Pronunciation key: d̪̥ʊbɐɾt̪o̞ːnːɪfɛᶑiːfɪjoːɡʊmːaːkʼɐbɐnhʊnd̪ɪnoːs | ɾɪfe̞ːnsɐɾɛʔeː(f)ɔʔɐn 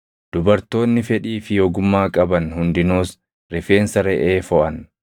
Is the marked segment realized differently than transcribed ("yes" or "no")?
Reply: no